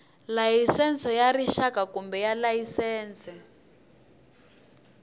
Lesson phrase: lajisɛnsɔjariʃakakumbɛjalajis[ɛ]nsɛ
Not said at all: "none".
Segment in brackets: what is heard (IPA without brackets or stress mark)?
ɛː